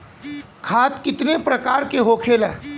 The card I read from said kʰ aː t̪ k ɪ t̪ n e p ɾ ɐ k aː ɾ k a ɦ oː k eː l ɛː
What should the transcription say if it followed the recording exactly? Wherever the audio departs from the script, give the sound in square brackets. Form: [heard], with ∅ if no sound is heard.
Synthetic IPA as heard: kʰ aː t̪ k ɪ t̪ n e p ɾ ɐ k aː ɾ k [e] ɦ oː [kʰ] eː l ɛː